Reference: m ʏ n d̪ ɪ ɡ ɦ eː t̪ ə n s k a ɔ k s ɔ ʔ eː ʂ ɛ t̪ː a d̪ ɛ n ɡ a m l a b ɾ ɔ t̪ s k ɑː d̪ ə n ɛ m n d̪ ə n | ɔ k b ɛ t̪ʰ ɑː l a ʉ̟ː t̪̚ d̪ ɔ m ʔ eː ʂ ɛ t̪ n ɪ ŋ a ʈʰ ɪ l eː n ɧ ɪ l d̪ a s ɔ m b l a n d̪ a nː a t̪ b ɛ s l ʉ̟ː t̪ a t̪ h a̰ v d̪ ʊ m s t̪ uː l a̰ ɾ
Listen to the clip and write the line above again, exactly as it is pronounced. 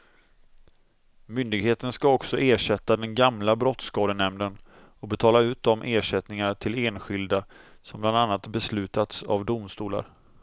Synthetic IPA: m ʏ n d̪ ɪ ɡ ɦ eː t̪ ə n s k a ɔ k s ɔ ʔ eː ʂ ɛ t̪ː a d̪ ɛ n ɡ a m l a b ɾ ɔ t̪ s k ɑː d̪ ə n ɛ m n d̪ ə n | ɔ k b ɛ t̪ʰ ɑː l a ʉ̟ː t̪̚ d̪ ɔ m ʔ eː ʂ ɛ t̪ n ɪ ŋ a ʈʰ ɪ l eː n ɧ ɪ l d̪ a s ɔ m b l a n d̪ a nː a t̪ b ɛ s l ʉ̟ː t̪ a t̪ s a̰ v d̪ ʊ m s t̪ uː l a̰ ɾ